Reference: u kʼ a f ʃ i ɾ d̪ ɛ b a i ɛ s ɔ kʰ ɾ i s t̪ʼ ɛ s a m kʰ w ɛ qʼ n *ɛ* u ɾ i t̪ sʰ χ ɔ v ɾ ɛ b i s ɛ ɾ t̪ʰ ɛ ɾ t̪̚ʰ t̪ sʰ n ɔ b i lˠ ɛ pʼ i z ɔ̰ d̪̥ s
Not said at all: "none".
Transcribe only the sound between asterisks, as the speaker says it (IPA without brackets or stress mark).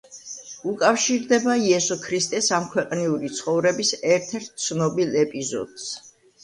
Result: i